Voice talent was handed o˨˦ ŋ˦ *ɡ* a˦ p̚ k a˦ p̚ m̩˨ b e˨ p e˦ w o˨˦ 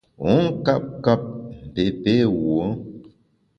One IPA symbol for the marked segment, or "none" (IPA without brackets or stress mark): k